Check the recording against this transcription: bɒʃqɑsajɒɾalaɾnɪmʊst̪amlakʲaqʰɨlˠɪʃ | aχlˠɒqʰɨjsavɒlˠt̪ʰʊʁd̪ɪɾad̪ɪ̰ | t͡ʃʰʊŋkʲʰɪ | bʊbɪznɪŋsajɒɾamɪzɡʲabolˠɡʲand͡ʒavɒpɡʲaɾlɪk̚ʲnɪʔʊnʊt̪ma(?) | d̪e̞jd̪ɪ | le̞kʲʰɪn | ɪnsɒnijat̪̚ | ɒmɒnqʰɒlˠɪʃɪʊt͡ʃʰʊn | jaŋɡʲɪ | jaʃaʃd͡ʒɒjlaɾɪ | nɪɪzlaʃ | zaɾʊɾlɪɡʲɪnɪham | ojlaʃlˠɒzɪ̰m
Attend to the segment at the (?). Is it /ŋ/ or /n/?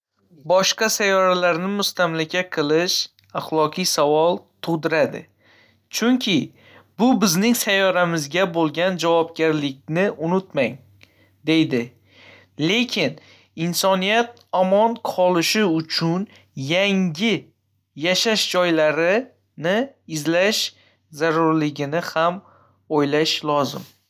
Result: ŋ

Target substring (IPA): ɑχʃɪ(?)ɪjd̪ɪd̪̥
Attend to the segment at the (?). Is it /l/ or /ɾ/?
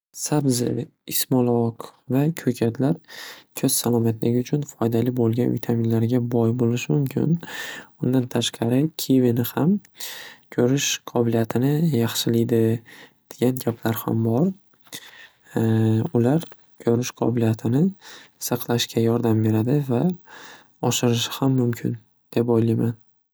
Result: l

